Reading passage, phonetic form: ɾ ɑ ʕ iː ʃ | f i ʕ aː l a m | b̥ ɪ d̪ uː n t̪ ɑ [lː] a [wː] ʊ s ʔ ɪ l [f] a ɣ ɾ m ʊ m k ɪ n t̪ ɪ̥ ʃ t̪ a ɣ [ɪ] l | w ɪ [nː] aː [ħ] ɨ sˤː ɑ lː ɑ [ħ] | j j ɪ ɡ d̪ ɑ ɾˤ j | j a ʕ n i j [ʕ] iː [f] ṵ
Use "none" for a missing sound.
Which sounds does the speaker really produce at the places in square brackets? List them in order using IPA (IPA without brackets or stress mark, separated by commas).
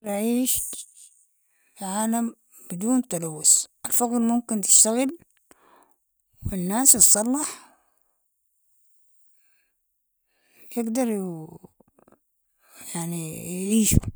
l, wː, f, ɪ, nː, s, ħ, ʕ, ʃ